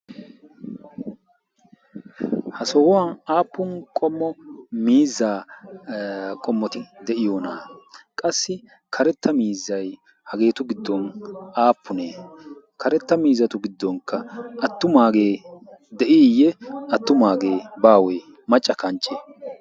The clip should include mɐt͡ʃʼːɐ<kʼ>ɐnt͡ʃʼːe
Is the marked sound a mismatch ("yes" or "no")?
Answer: yes